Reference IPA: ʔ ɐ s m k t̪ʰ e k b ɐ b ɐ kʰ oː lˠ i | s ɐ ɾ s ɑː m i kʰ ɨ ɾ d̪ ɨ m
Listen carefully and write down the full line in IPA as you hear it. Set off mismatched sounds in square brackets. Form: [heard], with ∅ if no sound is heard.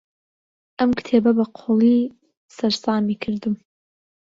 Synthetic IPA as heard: ʔ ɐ [∅] m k t̪ʰ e [∅] b ɐ b ɐ [qʰ] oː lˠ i | s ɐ ɾ s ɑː m i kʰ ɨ ɾ d̪ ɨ m

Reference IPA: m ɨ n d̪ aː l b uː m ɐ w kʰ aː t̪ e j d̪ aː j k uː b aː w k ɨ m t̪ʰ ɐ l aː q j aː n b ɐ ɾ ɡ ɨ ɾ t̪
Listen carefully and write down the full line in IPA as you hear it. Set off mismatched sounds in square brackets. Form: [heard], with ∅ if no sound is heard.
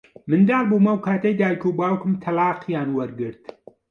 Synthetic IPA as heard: m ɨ n d̪ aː l b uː m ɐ w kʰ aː t̪ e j d̪ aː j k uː b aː w k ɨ m t̪ʰ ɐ l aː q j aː n [w] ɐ ɾ ɡ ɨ ɾ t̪

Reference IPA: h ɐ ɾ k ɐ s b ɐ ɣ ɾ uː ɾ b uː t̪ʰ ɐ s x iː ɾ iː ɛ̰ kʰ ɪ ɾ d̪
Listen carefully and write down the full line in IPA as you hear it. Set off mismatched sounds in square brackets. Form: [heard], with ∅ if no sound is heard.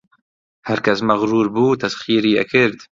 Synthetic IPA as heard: h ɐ ɾ k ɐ s [m] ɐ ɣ ɾ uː ɾ b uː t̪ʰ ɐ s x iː ɾ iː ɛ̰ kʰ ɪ ɾ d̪

